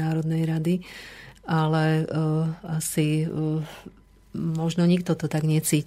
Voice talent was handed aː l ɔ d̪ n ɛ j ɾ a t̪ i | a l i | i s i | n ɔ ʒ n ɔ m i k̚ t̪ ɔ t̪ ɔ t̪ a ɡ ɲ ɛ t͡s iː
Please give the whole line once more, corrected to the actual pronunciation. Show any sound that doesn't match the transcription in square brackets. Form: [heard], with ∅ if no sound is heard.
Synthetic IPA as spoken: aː [ɾ] ɔ d̪ n ɛ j ɾ a [d̪] i | a l [ɛ] | [a] s i | [m] ɔ ʒ n ɔ [ɲ] i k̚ t̪ ɔ t̪ ɔ t̪ a ɡ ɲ ɛ t͡s iː